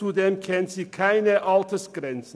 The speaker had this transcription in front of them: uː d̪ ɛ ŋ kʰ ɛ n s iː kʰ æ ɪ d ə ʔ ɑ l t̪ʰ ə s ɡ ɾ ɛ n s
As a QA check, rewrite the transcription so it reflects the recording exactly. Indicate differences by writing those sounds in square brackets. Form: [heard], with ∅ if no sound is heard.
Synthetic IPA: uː d̪ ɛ [m] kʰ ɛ n s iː kʰ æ ɪ [n] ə ʔ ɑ l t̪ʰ ə s ɡ ɾ ɛ n s